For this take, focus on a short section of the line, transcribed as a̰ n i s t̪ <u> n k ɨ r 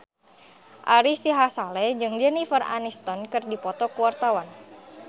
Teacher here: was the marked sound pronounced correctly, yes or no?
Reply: no